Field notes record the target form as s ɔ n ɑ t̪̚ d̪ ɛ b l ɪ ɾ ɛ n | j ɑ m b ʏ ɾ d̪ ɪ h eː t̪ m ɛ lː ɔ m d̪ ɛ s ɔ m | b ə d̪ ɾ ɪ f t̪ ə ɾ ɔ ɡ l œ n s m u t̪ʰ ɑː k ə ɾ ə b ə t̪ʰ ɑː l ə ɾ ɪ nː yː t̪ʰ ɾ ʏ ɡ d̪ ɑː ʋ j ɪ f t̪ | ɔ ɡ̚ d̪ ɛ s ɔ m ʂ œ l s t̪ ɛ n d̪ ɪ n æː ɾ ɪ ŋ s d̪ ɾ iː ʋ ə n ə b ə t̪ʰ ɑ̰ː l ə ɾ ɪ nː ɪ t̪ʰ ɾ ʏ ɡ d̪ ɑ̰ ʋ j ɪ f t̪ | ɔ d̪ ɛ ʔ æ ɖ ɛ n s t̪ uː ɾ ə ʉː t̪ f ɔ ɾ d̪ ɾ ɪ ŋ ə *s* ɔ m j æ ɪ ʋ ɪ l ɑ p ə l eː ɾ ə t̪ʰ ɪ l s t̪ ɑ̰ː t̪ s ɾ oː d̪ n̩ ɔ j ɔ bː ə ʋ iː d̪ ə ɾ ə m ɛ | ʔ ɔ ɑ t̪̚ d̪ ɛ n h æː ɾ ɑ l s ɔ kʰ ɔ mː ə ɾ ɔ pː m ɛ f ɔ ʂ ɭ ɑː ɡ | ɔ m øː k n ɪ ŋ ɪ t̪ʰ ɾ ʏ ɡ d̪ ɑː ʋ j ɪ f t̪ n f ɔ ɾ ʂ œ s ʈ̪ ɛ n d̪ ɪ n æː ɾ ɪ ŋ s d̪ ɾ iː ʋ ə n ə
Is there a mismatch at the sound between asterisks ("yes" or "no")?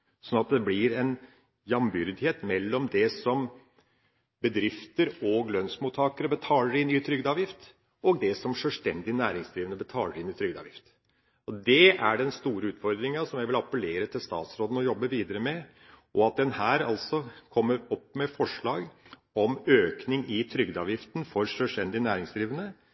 no